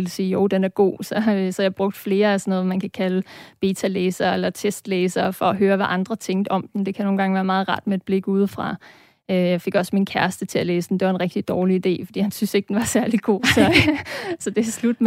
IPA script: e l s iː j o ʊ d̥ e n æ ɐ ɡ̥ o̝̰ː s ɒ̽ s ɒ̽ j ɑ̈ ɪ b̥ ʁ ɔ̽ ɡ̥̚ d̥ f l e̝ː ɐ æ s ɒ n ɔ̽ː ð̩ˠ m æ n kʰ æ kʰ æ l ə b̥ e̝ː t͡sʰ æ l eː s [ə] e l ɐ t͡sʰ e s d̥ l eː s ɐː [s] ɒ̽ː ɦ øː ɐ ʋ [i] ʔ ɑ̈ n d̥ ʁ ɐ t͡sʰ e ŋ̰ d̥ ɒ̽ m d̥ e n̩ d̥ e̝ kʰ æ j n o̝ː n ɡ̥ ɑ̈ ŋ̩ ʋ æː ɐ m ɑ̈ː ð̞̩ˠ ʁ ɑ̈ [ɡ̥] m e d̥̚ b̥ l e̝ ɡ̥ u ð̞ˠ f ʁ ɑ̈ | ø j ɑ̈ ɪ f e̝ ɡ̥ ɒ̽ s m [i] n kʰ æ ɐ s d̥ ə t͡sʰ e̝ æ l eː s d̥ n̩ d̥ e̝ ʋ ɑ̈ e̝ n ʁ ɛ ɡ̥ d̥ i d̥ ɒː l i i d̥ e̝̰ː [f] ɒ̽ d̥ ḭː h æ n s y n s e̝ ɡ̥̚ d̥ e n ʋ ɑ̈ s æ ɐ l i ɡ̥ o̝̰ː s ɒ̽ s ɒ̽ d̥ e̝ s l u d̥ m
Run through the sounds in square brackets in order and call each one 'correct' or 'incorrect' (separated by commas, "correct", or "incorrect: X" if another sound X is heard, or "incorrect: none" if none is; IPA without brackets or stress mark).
incorrect: ɐ, incorrect: f, incorrect: æ, incorrect: d̥, correct, correct